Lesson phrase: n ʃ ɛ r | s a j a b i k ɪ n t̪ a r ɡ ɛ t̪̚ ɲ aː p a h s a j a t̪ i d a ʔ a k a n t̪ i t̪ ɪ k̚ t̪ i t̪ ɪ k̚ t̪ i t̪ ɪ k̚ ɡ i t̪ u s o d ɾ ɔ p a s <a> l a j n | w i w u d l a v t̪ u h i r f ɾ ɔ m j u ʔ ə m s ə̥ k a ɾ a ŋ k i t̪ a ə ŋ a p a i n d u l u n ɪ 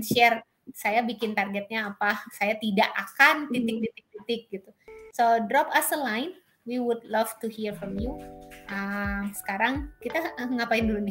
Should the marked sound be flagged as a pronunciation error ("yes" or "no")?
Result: yes